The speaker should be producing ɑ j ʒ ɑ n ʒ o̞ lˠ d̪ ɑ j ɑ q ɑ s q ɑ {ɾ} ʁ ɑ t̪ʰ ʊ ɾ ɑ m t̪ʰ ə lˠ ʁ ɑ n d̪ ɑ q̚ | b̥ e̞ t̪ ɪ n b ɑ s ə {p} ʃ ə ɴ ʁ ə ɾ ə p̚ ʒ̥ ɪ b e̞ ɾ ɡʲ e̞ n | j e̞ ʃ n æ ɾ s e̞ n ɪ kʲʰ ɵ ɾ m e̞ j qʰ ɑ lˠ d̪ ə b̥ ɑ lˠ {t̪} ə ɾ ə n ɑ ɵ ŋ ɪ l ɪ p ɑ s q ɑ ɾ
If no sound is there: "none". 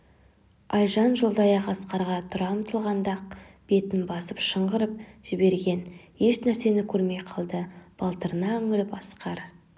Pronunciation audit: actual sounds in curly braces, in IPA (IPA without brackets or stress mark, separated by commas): ɾ, p, t̪